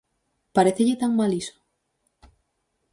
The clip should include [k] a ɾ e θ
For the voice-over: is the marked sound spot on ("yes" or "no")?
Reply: no